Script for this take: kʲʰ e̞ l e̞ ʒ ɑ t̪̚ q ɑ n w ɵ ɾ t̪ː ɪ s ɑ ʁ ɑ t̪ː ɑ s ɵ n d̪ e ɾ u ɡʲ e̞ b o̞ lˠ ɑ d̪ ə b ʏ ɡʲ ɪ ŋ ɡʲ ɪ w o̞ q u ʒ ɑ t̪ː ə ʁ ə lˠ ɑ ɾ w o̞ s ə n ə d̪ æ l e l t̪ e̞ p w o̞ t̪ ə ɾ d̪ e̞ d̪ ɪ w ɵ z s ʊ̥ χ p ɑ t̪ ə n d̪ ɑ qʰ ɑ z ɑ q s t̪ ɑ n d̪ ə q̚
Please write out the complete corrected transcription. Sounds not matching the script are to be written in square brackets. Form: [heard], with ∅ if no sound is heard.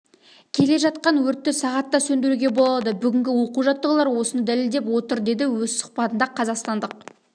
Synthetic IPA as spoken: kʲʰ e̞ l e̞ ʒ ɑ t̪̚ q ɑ n w ɵ ɾ t̪ː ɪ s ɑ ʁ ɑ t̪ː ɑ s ɵ n d̪ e ɾ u ɡʲ e̞ b o̞ lˠ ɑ d̪ ə b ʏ ɡʲ ɪ ŋ ɡʲ ɪ w o̞ q u ʒ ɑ t̪ː ə ʁ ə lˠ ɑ ɾ w o̞ s ə n ə d̪ æ l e l [d̪] e̞ p w o̞ t̪ ə ɾ d̪ e̞ d̪ ɪ w ɵ z s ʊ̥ χ p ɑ t̪ ə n d̪ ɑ qʰ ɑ z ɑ q s t̪ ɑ n d̪ ə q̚

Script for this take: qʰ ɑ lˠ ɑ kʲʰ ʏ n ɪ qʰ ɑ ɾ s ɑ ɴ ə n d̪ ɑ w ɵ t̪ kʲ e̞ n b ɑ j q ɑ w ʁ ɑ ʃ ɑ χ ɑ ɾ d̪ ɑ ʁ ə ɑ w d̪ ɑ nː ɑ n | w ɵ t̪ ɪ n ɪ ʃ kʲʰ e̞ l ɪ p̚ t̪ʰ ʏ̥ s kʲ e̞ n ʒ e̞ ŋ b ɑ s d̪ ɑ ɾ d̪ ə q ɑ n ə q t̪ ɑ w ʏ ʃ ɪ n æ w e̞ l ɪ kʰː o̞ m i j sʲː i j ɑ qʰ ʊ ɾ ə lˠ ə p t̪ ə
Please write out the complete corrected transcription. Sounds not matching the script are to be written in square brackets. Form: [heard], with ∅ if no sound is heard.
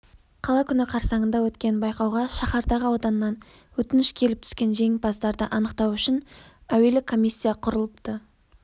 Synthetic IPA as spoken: qʰ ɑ lˠ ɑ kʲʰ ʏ n ɪ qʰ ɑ ɾ s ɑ ɴ ə n d̪ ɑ w ɵ t̪ kʲ e̞ n b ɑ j q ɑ w ʁ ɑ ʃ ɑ χ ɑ ɾ d̪ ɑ ʁ ə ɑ w d̪ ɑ nː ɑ n | w ɵ t̪ ɪ n ɪ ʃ kʲʰ e̞ l ɪ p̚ t̪ʰ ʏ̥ s kʲ e̞ n ʒ e̞ ŋ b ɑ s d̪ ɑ ɾ d̪ ə [ʔ] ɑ n ə q t̪ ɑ w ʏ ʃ ɪ n æ w e̞ l ɪ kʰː o̞ m i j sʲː i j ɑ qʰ ʊ ɾ ə lˠ ə p t̪ ə

